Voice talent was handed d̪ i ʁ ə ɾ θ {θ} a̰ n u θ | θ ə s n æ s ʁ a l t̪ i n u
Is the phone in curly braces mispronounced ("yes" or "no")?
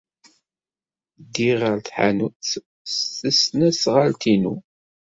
yes